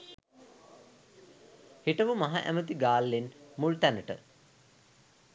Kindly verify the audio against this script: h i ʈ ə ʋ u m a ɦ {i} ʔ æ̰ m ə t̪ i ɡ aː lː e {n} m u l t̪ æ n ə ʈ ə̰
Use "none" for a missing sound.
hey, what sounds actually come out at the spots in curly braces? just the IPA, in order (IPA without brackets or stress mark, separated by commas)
a, n